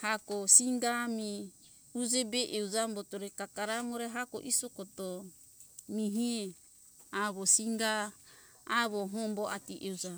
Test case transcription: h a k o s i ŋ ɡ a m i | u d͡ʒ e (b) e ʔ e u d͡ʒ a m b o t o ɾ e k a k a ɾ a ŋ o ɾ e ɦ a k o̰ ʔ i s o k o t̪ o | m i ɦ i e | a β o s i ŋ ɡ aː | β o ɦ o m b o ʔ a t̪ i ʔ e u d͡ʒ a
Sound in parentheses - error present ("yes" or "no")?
no